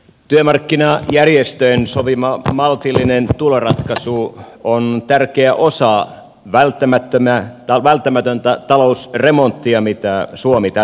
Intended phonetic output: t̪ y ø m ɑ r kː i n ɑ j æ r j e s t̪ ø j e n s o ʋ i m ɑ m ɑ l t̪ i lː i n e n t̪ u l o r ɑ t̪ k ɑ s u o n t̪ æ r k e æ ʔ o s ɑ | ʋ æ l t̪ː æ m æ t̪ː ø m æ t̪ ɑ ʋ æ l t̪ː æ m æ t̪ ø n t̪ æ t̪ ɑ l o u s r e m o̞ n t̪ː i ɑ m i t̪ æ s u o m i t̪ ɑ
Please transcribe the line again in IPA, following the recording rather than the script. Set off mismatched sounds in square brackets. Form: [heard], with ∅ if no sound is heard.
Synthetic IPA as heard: t̪ y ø m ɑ r kː i n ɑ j æ r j e s t̪ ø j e n s o ʋ i m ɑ m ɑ l t̪ i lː i n e n t̪ u l o r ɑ t̪ k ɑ s u o n t̪ æ r k e æ ʔ o s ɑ | ʋ æ l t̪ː æ m æ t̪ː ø m æ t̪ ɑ ʋ æ l t̪ː æ m æ t̪ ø n t̪ æ t̪ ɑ l o u s r e m o̞ n t̪ː i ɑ m i t̪ æ s u o m i t̪ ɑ